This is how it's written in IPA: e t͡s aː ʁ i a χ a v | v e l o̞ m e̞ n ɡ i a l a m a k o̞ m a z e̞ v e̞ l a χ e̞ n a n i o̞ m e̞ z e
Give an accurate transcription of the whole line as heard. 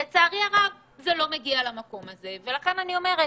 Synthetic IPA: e t͡s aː ʁ i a ʁ a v | z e l o̞ m e̞ ɡ i a l a m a k o̞ m a z e̞ v e̞ l a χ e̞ n a n i o̞ m e̞ ʁ e